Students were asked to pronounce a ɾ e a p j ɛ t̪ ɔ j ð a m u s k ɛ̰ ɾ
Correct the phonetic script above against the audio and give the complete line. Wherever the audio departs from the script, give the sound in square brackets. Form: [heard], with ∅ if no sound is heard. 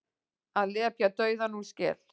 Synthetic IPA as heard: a [l] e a p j [a] t̪ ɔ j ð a [n] u s k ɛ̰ [l]